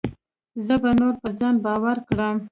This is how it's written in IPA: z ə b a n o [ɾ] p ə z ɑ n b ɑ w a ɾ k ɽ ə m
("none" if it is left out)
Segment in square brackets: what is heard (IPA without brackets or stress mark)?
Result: ɾ